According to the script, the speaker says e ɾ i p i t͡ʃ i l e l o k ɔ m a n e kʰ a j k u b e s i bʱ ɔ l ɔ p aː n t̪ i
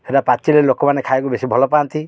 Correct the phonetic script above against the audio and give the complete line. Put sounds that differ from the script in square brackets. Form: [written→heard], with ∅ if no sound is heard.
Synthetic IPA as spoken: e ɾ [i→a] p [i→a] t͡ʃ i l e l o k ɔ m a n e kʰ a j k u b e s i bʱ ɔ l ɔ p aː n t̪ i